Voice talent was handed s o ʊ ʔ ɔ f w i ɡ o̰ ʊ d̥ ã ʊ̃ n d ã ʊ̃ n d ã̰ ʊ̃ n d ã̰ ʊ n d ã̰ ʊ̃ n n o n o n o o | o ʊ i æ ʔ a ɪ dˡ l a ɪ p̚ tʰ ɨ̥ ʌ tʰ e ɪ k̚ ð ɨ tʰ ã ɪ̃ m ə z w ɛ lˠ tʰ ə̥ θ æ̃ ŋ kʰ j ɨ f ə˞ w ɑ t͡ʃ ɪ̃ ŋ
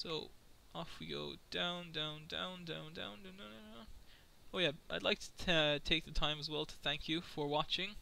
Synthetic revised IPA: s o ʊ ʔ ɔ f w i ɡ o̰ ʊ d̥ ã ʊ̃ n d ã ʊ̃ n d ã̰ ʊ̃ n d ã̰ ʊ̃ n d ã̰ ʊ̃ n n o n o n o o | o ʊ j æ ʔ a ɪ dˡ l a ɪ k̚ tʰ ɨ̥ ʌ tʰ e ɪ k̚ ð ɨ tʰ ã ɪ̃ m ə z w ɛ lˠ tʰ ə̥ θ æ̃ ŋ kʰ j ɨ f ə˞ w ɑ t͡ʃ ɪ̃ ŋ